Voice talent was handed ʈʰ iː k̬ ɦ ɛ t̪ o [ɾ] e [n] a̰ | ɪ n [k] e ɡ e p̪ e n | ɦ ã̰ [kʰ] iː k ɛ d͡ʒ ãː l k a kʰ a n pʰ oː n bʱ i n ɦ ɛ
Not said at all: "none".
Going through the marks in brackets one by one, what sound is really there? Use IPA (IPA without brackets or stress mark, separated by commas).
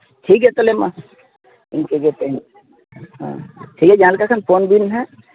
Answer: l, m, k, ʈʰ